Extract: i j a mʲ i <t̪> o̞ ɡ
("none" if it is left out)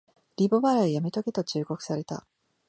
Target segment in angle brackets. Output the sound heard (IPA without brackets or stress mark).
t̪